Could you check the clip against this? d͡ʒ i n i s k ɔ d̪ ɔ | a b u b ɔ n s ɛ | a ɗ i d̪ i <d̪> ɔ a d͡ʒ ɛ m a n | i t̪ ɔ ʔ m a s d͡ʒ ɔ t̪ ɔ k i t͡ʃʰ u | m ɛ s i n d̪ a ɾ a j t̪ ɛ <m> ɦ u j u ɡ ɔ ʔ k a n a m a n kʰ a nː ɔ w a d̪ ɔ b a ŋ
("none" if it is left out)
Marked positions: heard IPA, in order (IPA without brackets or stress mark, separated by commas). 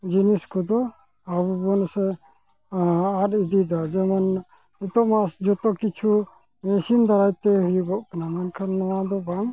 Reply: d̪, none